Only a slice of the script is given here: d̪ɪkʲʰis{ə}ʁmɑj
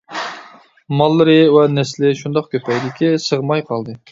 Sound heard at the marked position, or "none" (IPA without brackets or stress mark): ə